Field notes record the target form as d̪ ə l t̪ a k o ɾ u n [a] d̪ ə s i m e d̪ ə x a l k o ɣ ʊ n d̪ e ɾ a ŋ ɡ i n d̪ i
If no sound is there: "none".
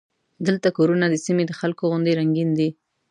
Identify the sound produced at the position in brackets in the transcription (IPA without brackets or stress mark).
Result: a